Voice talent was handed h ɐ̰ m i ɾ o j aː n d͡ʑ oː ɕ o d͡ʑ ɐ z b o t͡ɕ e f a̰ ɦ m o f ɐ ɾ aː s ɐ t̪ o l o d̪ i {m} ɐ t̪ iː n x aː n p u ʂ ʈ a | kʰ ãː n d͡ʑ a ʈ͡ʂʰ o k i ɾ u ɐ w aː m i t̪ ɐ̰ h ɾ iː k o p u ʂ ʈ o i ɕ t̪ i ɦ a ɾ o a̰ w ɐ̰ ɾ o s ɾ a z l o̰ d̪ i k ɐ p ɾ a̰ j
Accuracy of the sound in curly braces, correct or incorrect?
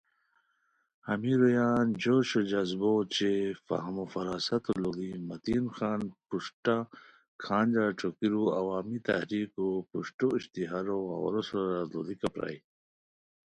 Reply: correct